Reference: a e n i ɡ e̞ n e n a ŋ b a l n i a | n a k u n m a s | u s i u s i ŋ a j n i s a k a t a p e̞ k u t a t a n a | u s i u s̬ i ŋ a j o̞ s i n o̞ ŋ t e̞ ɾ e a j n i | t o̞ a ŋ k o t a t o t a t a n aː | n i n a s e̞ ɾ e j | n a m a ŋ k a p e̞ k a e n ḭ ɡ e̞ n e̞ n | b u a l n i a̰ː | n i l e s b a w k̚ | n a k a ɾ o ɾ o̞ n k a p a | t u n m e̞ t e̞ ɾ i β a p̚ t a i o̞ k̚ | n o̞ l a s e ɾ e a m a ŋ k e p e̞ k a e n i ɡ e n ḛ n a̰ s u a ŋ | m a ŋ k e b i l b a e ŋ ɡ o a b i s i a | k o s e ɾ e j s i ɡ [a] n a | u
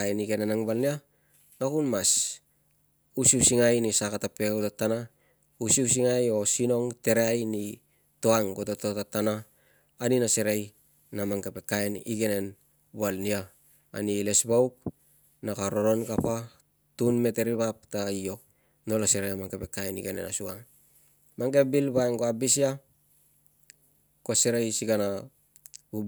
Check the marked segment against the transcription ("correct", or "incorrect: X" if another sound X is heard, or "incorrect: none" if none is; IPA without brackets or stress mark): correct